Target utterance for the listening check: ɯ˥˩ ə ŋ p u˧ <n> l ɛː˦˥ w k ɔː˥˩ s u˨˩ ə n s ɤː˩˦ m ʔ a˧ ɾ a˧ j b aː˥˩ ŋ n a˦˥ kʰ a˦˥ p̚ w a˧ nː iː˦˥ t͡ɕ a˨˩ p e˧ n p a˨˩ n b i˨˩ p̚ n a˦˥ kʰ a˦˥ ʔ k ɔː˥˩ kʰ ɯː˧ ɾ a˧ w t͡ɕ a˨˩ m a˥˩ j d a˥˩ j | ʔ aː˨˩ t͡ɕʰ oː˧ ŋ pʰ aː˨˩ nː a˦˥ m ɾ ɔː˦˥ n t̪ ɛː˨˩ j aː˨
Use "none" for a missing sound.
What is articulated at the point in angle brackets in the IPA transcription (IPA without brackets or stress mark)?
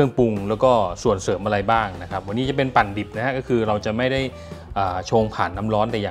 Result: ŋ